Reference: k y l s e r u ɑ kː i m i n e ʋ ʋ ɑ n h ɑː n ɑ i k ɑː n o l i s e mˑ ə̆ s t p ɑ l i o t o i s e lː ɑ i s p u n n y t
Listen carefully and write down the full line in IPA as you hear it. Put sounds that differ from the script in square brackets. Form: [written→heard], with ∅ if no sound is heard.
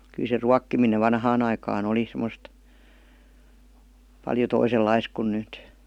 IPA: k y l s e r u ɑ kː i m i n e ʋ ʋ ɑ n h ɑː n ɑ i k ɑː n o l i s e mˑ ə̆ s t p ɑ l [i→j] o t o i s e lː ɑ i s [p→k] u n n y t